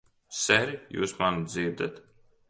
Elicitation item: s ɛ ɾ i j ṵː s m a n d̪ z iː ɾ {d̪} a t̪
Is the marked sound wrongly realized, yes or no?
no